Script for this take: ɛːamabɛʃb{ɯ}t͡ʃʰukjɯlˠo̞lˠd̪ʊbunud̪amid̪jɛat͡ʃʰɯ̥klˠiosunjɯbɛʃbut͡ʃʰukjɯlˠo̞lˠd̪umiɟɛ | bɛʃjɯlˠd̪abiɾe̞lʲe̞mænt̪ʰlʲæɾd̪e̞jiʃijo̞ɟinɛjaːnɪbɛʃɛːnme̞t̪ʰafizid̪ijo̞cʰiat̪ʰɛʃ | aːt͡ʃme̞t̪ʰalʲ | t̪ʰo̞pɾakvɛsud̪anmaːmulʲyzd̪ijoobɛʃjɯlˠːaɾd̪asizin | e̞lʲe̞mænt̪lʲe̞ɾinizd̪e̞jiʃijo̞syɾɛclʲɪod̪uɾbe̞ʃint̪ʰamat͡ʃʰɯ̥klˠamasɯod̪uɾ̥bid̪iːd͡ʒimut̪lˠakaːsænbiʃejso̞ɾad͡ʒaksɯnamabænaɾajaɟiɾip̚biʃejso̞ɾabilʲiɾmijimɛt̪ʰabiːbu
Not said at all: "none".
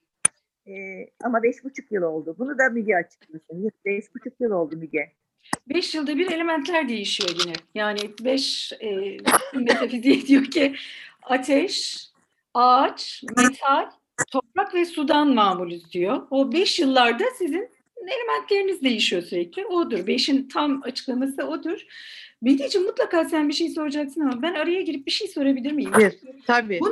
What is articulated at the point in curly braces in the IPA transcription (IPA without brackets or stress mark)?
u